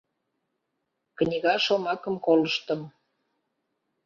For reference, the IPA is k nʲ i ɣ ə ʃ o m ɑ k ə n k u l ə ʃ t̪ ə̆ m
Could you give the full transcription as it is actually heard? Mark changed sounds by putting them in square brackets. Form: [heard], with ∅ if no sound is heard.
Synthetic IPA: k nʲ i ɣ [ɑ] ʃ o m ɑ k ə [m] k [o] l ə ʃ t̪ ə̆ m